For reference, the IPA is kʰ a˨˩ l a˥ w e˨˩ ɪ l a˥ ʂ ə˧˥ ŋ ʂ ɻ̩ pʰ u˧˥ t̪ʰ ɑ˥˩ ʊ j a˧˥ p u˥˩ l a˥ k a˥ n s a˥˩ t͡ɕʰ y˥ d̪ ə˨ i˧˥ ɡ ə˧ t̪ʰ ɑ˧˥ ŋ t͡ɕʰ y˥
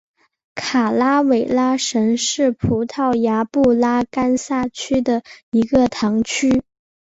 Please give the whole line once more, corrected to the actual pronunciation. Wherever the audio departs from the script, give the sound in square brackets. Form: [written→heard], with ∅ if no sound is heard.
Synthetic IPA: kʰ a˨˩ l a˥ w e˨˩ ɪ l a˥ ʂ ə˧˥ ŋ ʂ ɻ̩ pʰ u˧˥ t̪ʰ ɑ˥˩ ʊ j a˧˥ p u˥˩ l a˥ k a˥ n s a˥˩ t͡ɕʰ y˥ d̪ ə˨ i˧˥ ɡ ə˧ t̪ʰ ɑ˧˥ ŋ t͡ɕʰ y˥